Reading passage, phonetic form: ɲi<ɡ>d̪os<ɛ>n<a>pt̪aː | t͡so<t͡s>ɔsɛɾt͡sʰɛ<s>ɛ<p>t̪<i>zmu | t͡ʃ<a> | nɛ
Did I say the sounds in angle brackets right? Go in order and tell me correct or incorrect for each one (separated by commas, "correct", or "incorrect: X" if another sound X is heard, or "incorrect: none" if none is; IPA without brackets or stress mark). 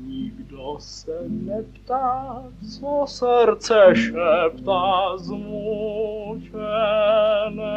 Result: correct, correct, incorrect: ɛ, incorrect: none, incorrect: ʃ, correct, incorrect: a, incorrect: ɛ